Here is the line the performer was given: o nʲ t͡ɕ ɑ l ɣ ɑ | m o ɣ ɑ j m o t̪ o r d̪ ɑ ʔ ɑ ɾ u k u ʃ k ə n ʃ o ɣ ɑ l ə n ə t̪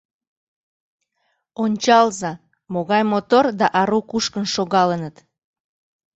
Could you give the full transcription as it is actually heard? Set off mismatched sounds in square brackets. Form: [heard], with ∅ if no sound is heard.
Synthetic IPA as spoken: o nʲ t͡ɕ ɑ l [z] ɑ | m o ɣ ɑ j m o t̪ o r d̪ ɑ ʔ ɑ ɾ u k u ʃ k ə n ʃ o ɣ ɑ l ə n ə t̪